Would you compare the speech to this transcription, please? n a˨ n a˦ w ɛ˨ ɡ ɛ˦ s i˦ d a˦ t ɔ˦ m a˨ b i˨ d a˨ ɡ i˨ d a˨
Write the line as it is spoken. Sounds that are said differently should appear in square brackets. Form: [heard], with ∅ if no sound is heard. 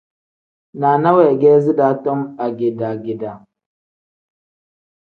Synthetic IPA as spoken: n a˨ n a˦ w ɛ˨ ɡ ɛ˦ [z] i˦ d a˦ t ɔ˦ m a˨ [ɡ] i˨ d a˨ ɡ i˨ d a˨

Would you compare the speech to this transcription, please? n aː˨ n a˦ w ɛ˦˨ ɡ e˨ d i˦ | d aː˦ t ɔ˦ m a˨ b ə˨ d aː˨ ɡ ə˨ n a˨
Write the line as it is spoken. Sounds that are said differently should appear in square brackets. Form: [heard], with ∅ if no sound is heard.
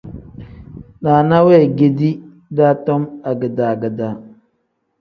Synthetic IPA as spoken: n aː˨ n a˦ w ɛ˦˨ ɡ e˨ d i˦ | d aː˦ t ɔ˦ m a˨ [ɡ] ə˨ d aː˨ ɡ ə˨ [d] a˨

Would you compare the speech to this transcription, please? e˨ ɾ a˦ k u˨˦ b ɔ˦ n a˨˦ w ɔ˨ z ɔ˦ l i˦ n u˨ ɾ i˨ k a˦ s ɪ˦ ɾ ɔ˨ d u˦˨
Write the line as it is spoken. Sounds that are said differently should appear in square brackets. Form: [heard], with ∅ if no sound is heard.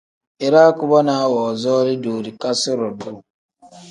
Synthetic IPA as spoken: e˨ ɾ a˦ k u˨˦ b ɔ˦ n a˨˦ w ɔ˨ z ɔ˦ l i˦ [d] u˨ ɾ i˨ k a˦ s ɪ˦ ɾ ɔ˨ d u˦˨

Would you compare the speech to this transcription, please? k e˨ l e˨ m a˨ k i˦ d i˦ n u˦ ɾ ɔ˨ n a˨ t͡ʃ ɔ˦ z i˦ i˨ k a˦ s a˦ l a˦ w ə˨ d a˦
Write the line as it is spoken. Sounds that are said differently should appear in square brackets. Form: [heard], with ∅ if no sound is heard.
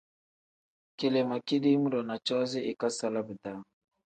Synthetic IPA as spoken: k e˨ l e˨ m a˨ k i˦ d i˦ [m] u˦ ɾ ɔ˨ n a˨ t͡ʃ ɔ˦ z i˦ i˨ k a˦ s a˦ l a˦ [b] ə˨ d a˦

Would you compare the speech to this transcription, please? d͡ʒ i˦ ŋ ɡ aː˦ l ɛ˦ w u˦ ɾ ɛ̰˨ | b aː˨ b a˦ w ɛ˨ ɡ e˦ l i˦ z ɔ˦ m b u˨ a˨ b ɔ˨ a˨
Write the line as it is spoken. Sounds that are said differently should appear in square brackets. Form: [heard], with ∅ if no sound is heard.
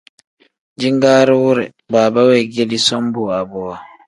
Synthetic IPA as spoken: d͡ʒ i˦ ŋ ɡ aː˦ [ɾ] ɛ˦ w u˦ ɾ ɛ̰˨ | b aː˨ b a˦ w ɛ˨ ɡ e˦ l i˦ [s] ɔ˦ m b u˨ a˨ b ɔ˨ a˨

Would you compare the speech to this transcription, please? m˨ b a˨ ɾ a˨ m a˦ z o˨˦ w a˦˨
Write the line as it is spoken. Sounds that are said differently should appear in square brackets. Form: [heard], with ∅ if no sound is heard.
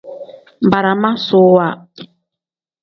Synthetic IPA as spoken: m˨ b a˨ ɾ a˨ m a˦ [s] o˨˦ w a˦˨

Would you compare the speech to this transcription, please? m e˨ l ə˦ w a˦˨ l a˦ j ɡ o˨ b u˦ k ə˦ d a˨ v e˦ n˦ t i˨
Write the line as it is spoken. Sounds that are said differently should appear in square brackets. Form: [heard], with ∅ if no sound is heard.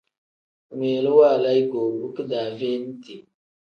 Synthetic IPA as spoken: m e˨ l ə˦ w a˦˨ l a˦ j ɡ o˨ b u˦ k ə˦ d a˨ v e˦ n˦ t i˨

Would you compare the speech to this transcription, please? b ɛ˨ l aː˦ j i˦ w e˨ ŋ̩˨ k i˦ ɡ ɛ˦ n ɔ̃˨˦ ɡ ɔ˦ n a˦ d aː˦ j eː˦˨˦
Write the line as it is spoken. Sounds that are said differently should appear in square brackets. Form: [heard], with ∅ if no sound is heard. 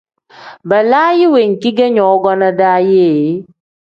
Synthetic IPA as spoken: b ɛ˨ l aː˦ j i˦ w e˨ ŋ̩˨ k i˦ ɡ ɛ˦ [ɲ] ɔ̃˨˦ ɡ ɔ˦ n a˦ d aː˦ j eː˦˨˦

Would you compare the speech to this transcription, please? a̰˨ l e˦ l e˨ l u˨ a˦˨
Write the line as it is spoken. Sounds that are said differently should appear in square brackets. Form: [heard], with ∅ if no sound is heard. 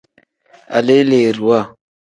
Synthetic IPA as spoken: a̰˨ l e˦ l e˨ [ɾ] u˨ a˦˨

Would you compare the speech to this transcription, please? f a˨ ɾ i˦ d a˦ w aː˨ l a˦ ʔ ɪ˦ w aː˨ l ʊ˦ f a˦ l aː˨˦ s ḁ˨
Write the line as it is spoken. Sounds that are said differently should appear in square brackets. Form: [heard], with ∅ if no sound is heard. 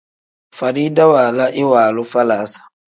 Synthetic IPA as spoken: f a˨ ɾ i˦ d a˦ w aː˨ l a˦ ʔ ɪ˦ w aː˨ l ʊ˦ f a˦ l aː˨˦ s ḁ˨

